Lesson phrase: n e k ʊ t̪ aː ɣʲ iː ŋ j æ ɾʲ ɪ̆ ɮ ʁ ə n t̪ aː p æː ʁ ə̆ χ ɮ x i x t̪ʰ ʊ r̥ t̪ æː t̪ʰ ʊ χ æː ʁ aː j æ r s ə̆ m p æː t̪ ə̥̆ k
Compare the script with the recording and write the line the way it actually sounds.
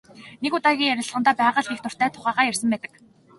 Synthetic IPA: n e k ʊ t̪ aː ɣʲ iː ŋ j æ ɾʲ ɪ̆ ɮ ʁ ə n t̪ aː p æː ʁ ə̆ ɮ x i x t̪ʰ ʊ r̥ t̪ æː t̪ʰ ʊ χ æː ʁ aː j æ r s ə̆ m p æː t̪ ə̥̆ k

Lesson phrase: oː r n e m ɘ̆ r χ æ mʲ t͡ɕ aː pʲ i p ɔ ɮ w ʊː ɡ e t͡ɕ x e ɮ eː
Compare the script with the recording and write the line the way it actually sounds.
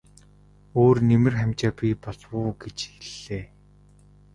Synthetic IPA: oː r n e m ɘ̆ r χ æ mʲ t͡ɕ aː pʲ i p ɔ ɮ w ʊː ɡ e t͡ɕ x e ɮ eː

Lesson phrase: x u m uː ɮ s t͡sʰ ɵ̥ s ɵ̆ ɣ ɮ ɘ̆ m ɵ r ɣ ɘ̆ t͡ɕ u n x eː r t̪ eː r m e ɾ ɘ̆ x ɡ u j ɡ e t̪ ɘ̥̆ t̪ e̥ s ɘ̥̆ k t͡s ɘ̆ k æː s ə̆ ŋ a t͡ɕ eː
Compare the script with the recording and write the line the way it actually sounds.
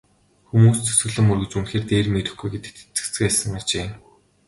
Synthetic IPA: x u m uː s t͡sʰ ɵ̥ s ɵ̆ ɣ ɮ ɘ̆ m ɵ r ɣ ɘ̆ t͡ɕ u n x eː r t̪ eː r m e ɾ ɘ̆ x ɡ u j ɡ e t̪ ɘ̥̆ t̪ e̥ t͡s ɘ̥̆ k t͡s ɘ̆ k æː s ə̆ ŋ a t͡ɕ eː

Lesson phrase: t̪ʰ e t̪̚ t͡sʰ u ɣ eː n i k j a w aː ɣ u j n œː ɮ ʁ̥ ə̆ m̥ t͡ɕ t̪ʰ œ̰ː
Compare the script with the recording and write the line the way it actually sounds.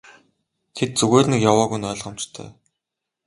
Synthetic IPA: t̪ʰ e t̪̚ t͡s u ɣ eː n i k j a w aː ɣ u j n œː ɮ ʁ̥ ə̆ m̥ t͡ɕ t̪ʰ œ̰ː

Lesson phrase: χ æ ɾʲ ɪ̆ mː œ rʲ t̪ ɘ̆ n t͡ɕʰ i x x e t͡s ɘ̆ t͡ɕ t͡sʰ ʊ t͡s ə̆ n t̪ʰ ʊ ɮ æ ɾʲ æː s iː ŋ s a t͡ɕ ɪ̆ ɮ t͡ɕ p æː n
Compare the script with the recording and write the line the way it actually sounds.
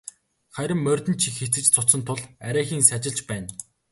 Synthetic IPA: χ æ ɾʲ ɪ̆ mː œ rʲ t̪ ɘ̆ n t͡ɕʰ i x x e t͡s ɘ̆ t͡ɕ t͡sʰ ʊ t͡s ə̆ n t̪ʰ ʊ ɮ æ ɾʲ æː x iː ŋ s a t͡ɕ ɪ̆ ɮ t͡ɕ p æː n

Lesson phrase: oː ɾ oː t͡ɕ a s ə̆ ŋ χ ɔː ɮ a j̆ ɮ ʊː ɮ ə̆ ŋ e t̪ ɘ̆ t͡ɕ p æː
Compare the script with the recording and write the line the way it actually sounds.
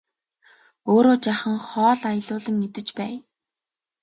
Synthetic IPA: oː ɾ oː t͡ɕ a χ ə̆ ŋ χ ɔː ɮ a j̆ ɮ ʊː ɮ ə̆ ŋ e t̪ ɘ̆ t͡ɕ p æː

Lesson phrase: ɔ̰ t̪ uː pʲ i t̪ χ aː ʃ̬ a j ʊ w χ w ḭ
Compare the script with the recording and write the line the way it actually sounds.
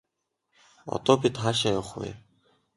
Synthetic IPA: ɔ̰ t̪ ɔː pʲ i t̪ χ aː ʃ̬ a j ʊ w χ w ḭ

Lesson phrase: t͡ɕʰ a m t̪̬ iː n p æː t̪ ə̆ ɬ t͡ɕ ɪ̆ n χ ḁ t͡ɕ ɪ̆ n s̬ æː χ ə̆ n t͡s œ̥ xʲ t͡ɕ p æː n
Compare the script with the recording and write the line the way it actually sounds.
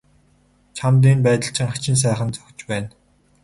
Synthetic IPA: t͡ɕʰ a m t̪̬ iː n p æː t̪ ə̆ ɬ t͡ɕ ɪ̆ ŋ χ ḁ t͡ɕ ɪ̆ n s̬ æː χ ə̆ n t͡s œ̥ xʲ t͡ɕ p æː n

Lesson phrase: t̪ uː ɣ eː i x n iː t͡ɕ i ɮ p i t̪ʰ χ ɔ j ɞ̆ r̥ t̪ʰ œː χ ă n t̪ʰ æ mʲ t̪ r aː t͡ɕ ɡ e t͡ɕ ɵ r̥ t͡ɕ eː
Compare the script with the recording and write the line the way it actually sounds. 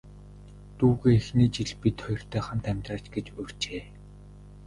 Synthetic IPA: t̪ uː ɣ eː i x n iː t͡ɕ i ɮ p i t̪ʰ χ ɔ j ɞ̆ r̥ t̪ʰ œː χ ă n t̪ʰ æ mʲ t̪ r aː t͡ɕ ɡ e t͡ɕ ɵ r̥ t͡ɕ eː

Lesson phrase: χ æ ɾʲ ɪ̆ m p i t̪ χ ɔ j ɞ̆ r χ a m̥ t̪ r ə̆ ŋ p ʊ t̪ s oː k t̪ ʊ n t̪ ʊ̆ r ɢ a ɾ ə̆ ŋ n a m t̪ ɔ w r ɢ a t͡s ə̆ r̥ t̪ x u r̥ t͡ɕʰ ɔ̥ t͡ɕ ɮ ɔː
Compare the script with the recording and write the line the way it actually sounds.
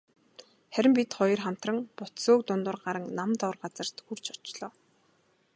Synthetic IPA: χ æ ɾʲ ɪ̆ m p i t̪ χ ɔ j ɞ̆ r χ a m̥ t̪ r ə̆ ŋ p ʊ t̪ s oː k t̪ ʊ n t̪ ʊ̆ r ɢ a ɾ ə̆ ŋ n a m t̪ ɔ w r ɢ a t͡s ə̆ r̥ t̪ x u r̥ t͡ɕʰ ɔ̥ t͡ɕ ɮ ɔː

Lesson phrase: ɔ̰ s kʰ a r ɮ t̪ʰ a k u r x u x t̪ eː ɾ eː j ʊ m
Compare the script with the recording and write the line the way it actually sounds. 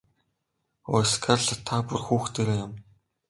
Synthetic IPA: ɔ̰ s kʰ a r ɮ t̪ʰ a p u r x uː x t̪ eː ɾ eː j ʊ m

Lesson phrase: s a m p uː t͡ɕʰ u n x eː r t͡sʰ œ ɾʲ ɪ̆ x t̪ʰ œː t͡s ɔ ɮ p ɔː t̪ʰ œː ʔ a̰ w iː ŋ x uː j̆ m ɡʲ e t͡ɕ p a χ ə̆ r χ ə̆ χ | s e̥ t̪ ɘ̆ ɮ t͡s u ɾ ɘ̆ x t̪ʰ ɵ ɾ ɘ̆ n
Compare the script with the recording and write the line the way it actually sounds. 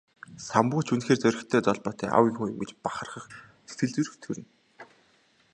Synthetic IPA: s a m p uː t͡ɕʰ u n x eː r t͡s œ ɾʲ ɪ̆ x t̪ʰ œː t͡s ɔ ɮ p ɔː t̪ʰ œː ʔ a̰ w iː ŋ x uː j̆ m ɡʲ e t͡ɕ p a χ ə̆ r χ ə̆ χ | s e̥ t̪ ɘ̆ ɮ t͡s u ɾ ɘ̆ x t̪ʰ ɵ ɾ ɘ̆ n

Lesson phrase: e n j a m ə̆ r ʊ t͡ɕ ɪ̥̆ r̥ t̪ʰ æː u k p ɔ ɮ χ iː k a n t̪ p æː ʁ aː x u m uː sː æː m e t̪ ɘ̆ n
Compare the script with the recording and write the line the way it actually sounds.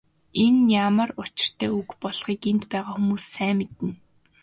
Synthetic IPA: e n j a m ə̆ r ʊ t͡ɕ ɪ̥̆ r̥ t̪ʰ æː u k p ɔ ɮ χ iː k e n t̪ p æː ʁ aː x u m uː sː æː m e t̪ ɘ̆ n

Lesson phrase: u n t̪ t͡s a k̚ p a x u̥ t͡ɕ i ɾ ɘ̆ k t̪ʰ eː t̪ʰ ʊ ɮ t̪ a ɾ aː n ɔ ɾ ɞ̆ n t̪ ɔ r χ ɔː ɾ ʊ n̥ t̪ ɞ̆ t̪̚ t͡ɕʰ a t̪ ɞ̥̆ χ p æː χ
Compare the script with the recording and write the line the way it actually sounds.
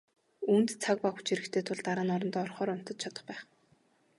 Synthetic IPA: u n t̪ t͡sʰ a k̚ p a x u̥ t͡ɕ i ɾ ɘ̆ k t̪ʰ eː t̪ʰ ʊ ɮ t̪ a ɾ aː n ɔ ɾ ɞ̆ n t̪ ɔ r χ ɔː ɾ ʊ n̥ t̪ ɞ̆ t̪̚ t͡ɕʰ a t̪ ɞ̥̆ χ p æː χ

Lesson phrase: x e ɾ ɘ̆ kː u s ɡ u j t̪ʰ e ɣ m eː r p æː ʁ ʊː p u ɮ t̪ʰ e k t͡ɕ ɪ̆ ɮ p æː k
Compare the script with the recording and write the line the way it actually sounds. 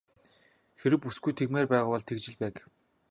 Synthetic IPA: x e ɾ ɘ̆ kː u s ɡ u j t̪ʰ e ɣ m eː r p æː ʁ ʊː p ɔ ɮ t̪ʰ e k t͡ɕ ɪ̆ ɮ p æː k

